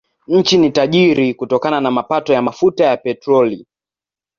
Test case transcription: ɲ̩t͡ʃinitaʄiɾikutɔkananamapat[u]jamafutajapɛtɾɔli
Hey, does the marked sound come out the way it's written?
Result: no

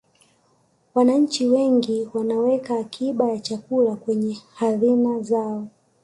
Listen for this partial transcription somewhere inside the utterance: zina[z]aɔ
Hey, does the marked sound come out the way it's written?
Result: yes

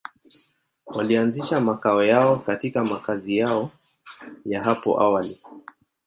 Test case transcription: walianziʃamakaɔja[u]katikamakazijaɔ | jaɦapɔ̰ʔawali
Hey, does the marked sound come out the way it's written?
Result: no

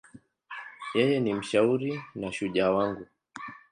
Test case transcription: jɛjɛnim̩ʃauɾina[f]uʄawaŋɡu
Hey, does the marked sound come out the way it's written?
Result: no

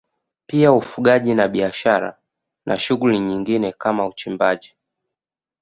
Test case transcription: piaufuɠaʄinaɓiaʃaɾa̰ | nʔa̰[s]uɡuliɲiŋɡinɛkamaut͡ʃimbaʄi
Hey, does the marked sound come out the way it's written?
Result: no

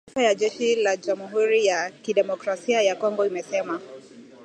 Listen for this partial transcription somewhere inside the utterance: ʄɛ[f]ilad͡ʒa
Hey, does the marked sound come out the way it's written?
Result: no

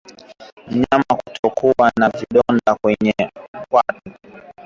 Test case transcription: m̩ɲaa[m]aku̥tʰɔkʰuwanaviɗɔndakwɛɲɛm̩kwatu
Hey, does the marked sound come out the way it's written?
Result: yes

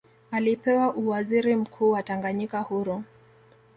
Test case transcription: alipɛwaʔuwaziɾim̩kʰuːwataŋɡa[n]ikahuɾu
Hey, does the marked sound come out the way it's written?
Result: no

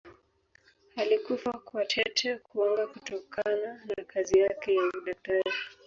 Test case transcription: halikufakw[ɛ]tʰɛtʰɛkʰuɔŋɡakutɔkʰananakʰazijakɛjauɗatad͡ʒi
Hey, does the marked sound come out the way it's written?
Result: no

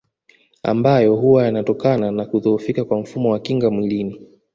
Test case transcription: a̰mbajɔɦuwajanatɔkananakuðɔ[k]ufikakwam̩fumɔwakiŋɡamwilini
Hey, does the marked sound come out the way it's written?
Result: no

